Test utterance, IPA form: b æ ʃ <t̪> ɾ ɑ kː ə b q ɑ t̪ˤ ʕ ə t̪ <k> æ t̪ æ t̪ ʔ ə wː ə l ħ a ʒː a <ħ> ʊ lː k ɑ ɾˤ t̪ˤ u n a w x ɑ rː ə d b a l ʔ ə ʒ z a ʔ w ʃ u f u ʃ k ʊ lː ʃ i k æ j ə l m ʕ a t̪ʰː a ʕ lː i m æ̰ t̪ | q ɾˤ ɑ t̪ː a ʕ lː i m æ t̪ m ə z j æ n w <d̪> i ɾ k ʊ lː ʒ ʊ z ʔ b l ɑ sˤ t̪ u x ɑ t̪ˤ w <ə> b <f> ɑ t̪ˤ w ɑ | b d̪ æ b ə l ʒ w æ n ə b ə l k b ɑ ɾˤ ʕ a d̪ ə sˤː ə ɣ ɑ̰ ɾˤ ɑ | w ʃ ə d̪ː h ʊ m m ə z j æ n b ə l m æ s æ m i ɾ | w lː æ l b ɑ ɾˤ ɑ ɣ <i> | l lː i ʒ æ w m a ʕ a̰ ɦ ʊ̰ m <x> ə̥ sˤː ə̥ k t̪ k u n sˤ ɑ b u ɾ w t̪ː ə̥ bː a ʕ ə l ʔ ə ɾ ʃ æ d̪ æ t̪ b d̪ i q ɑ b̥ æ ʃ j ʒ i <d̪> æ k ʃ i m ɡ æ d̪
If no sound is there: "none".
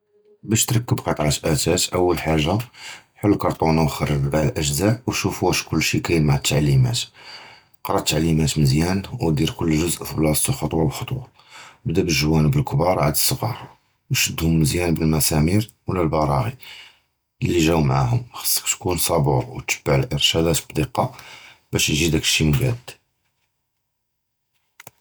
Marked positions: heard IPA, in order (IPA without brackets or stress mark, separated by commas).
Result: t̪, ʔ, ħ, d̪, ɑ, x, i, x, d̪